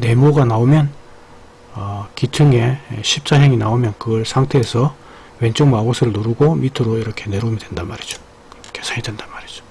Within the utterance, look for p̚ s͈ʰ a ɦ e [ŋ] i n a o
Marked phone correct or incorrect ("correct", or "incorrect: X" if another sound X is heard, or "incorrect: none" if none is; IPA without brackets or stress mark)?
correct